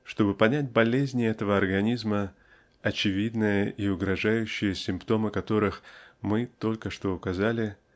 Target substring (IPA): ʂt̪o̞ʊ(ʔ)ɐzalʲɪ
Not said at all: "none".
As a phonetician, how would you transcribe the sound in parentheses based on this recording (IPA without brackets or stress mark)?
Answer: k